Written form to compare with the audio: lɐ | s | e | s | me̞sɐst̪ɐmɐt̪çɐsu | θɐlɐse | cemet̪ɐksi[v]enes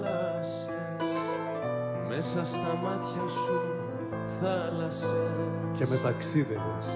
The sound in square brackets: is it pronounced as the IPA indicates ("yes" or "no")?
no